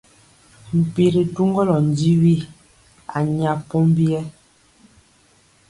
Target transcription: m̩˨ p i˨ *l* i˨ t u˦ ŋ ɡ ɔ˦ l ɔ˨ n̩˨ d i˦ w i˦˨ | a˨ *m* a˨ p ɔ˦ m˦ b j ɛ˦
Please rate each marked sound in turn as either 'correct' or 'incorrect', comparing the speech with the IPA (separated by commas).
incorrect, incorrect